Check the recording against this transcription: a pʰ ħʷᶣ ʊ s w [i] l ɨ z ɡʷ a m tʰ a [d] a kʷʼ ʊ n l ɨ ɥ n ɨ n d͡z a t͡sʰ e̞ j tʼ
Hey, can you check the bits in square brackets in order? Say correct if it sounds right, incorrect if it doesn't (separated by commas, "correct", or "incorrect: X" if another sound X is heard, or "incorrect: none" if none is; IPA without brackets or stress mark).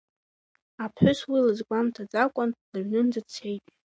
correct, incorrect: d͡z